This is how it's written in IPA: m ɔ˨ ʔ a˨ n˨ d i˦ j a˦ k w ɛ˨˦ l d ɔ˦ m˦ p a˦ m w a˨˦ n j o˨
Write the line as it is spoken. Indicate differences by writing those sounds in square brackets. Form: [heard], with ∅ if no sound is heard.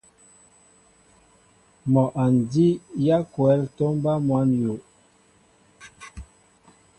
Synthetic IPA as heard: m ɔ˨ ʔ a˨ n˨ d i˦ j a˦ k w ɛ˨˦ l [t] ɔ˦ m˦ [b] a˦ m w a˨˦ n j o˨